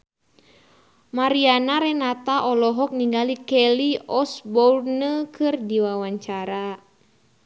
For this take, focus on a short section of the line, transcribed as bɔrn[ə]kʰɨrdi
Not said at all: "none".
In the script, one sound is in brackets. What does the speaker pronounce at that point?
ə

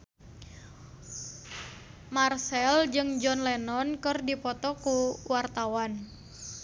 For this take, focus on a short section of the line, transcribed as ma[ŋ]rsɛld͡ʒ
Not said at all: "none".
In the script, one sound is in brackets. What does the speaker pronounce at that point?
none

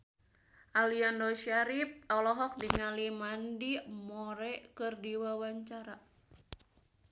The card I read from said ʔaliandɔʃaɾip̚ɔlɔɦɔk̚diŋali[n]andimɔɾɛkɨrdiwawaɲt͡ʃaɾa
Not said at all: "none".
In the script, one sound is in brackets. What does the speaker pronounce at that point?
m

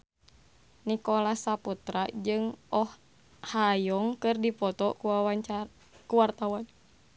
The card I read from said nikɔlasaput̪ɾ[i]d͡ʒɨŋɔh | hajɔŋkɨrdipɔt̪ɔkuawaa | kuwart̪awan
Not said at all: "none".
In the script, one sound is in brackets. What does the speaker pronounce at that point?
a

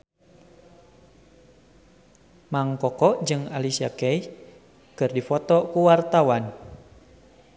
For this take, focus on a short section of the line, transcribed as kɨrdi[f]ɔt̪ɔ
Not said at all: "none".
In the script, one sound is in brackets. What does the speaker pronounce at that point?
f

